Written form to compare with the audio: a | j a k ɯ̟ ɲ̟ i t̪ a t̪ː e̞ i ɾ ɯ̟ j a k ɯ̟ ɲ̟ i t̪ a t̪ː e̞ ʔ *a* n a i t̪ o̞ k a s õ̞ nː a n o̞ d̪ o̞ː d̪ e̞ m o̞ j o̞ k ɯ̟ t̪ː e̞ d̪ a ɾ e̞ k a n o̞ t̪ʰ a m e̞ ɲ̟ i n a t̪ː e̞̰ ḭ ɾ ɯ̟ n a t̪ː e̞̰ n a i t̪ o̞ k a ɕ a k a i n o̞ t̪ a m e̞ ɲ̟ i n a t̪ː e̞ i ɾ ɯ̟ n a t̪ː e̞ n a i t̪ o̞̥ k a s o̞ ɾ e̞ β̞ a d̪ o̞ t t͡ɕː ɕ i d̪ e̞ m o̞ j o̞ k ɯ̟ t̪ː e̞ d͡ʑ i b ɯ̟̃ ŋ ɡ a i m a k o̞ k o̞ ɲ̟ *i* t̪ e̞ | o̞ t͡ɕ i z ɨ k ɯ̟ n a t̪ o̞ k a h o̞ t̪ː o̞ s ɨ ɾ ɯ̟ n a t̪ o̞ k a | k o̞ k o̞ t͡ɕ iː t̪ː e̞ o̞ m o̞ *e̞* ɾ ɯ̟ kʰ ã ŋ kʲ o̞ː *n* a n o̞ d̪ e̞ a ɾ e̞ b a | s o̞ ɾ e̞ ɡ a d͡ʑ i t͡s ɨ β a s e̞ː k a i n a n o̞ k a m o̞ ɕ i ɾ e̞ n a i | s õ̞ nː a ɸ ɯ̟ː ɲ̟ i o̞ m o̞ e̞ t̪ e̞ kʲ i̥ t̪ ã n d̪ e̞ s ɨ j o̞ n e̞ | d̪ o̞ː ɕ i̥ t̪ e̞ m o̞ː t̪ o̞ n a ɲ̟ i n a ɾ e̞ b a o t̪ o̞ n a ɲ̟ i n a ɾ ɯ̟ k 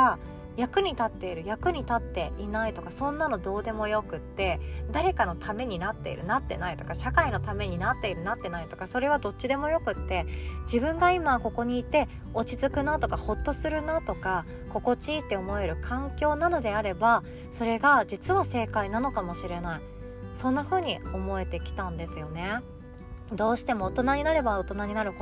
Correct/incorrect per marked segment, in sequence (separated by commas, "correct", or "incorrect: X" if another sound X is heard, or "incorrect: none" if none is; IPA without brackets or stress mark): incorrect: i, incorrect: iː, correct, correct